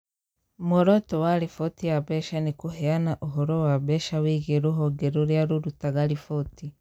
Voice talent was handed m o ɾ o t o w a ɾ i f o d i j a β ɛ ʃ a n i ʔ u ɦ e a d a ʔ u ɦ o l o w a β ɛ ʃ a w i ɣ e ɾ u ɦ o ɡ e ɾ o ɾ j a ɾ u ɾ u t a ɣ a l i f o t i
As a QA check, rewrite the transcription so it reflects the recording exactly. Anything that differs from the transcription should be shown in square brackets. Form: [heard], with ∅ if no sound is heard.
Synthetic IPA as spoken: m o ɾ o t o w a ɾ i f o [t] i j a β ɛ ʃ a n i [k] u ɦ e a [n] a ʔ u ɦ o [ɾ] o w a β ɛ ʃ a w i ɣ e ɾ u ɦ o ɡ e ɾ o ɾ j a ɾ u ɾ u t a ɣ a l i f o t i